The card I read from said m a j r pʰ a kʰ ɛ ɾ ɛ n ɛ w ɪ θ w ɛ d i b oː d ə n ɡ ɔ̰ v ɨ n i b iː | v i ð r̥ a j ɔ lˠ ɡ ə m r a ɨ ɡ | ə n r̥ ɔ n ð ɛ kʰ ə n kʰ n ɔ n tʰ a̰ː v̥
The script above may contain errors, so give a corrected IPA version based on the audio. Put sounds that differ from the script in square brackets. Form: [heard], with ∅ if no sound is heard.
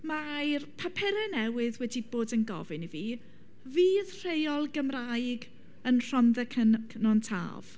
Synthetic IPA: m a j r pʰ a [pʰ] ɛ ɾ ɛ n ɛ w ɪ [ð] w ɛ d i b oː d ə n ɡ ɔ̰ v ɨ n i [v] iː | v [iː] ð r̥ [e] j ɔ lˠ ɡ ə m r a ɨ ɡ | ə n r̥ ɔ n ð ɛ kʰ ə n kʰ n ɔ n tʰ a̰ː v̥